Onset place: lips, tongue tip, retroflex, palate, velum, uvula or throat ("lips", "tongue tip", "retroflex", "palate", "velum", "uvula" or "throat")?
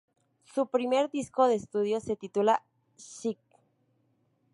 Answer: tongue tip